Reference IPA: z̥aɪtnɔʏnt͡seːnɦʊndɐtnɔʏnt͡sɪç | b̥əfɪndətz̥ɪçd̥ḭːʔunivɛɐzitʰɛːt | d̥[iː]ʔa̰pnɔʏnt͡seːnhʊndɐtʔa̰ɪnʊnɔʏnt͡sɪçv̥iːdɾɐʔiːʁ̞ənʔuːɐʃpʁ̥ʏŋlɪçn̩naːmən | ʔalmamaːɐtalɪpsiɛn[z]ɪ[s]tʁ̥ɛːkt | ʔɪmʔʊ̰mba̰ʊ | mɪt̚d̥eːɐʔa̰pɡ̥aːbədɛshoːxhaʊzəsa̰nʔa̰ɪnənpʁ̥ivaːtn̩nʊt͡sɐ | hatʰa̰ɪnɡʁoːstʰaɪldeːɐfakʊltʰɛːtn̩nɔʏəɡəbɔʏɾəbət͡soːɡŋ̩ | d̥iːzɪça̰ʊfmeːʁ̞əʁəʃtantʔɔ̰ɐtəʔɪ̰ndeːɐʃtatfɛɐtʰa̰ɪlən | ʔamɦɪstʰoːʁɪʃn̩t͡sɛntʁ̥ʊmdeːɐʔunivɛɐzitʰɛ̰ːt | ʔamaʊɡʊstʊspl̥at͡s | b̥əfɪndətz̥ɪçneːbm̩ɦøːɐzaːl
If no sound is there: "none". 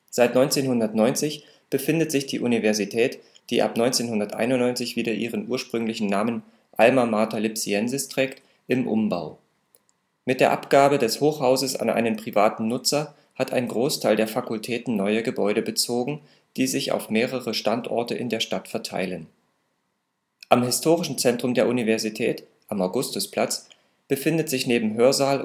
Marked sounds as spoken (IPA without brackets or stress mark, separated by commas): iː, z, s